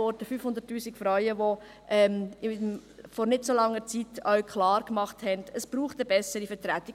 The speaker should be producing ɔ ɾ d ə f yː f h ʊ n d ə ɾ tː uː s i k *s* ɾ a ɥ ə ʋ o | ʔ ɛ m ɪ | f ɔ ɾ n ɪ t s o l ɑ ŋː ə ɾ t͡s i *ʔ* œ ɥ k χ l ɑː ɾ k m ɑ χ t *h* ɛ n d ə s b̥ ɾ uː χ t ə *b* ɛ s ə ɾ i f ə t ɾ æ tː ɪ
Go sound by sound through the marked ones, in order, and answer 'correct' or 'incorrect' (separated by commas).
incorrect, incorrect, correct, correct